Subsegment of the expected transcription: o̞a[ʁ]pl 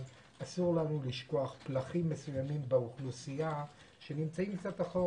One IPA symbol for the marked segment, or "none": χ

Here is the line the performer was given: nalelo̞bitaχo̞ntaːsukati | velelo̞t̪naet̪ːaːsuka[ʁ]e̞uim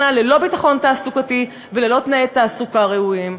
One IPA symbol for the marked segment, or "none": ʁ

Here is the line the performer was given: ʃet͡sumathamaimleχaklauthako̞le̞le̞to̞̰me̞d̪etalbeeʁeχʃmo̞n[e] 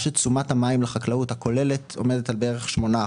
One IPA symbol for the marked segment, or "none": a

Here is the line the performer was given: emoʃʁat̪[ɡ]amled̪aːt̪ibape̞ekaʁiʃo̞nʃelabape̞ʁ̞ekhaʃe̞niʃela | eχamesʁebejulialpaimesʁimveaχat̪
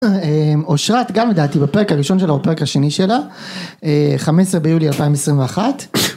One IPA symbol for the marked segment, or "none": ɡ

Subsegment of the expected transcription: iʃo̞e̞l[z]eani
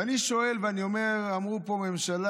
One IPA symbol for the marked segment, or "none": v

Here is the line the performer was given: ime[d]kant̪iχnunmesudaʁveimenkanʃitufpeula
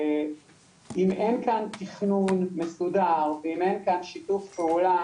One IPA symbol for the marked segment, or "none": n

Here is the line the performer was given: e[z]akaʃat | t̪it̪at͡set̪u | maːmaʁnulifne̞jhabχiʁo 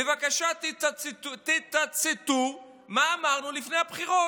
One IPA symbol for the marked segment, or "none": v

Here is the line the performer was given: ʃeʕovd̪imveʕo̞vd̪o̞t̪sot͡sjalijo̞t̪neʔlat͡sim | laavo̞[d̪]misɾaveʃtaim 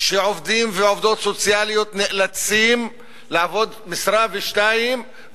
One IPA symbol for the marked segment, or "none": d̪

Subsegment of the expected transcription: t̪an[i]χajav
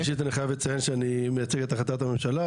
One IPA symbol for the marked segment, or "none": i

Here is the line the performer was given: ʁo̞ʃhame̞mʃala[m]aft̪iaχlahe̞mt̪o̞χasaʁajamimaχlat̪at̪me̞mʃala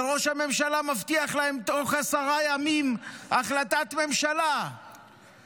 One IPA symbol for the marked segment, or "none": m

